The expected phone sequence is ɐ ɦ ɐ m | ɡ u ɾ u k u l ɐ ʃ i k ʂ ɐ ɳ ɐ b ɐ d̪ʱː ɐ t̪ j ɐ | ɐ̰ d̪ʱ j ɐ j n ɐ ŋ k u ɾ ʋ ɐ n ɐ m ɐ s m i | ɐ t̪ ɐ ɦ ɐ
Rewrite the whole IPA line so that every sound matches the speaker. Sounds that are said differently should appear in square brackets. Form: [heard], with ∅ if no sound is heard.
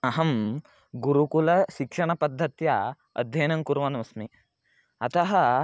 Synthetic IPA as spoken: ɐ ɦ ɐ m | ɡ u ɾ u k u l ɐ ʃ i k ʂ ɐ ɳ ɐ [p] ɐ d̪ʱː ɐ t̪ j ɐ | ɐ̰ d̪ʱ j ɐ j n ɐ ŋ k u ɾ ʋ ɐ n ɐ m ɐ s m i | ɐ t̪ ɐ ɦ ɐ